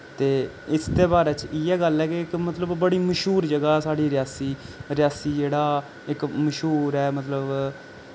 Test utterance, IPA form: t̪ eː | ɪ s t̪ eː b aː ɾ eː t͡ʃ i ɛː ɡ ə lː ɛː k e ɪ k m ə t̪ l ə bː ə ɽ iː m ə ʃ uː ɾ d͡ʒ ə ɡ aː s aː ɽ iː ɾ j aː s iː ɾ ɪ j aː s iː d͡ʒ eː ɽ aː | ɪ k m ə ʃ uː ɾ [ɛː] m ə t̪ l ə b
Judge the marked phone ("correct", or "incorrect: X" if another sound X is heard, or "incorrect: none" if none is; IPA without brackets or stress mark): correct